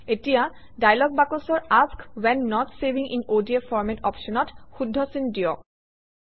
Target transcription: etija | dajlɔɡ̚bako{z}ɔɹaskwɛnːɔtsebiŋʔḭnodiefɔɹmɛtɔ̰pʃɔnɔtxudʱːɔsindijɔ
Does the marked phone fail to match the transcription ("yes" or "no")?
yes